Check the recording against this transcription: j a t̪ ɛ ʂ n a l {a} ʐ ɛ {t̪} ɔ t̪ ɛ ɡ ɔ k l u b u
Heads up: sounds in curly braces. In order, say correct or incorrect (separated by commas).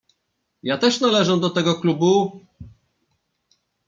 incorrect, incorrect